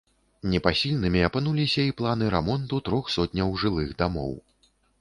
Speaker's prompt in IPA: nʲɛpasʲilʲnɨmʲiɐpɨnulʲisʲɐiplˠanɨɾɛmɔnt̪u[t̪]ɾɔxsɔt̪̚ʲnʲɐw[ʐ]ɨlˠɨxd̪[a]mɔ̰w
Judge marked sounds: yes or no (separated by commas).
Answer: yes, yes, yes